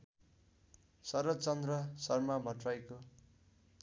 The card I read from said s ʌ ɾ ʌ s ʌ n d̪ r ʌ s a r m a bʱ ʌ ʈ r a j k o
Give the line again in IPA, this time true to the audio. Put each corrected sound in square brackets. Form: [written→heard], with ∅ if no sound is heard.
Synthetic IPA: s ʌ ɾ ʌ [s→t͡s] ʌ n d̪ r ʌ s [a→ʌ] r m a bʱ ʌ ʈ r a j k o